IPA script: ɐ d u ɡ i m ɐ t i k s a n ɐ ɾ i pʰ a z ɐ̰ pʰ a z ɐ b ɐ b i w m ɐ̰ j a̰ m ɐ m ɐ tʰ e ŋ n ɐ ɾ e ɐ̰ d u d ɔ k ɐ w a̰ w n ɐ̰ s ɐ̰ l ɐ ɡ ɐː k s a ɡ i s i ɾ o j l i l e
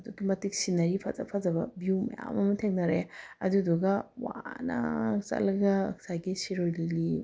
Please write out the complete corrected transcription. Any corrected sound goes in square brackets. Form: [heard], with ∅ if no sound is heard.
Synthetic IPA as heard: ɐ d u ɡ i m ɐ t i k s [i] n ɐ ɾ i pʰ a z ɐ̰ pʰ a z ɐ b ɐ b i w m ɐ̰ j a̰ m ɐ m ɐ tʰ e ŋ n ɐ ɾ e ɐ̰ d u d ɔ [ɡ] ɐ w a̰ [∅] n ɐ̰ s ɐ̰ l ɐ ɡ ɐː k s a ɡ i s i ɾ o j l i l [i]